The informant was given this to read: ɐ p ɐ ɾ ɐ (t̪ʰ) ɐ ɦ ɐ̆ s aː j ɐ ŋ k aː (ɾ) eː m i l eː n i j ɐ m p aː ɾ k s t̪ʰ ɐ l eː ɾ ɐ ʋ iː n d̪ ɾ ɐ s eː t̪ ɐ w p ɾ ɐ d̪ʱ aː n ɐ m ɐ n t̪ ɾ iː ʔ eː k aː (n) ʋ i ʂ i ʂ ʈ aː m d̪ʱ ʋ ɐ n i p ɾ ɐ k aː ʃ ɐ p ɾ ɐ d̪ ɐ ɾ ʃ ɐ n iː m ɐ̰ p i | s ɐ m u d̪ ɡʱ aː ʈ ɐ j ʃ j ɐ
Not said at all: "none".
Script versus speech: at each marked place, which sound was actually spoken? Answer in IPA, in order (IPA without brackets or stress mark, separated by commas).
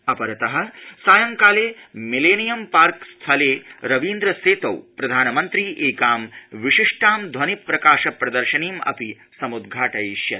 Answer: t̪, l, m